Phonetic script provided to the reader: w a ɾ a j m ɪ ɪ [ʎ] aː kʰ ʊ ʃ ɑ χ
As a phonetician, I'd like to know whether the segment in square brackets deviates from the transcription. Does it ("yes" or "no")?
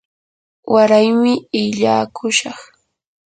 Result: no